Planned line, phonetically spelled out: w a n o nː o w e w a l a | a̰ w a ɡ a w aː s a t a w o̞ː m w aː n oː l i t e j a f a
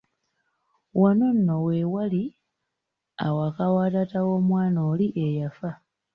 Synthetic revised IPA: w a n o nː o w e w a l i | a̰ w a k a w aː t a t a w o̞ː m w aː n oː l i ʔ e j a f a